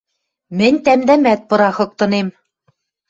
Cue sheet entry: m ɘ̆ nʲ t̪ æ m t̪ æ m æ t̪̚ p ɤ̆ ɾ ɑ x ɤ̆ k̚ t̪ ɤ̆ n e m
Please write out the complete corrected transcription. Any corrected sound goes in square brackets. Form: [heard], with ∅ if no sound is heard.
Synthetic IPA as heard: m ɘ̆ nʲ t̪ æ m [d̪] æ m æ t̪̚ p ɤ̆ ɾ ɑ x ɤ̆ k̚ t̪ ɤ̆ n e m